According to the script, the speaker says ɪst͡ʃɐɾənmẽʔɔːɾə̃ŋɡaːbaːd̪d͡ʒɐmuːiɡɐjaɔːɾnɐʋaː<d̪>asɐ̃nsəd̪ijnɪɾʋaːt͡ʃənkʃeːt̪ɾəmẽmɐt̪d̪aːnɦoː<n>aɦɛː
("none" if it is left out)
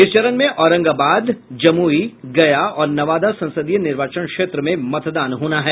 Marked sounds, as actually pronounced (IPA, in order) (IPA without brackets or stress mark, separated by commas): d̪, n